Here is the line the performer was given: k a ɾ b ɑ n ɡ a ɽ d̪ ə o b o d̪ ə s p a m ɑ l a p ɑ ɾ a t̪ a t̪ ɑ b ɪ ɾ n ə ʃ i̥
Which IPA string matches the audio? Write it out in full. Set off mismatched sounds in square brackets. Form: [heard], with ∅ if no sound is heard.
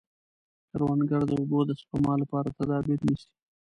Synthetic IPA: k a ɾ [w] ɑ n ɡ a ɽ d̪ ə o b o d̪ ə s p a m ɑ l a p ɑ ɾ a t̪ a [d̪] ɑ b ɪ ɾ n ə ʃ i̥